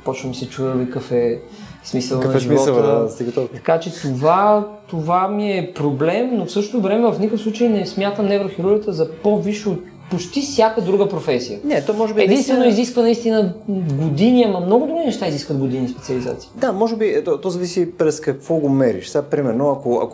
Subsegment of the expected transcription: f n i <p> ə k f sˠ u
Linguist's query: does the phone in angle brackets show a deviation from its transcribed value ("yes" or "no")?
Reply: yes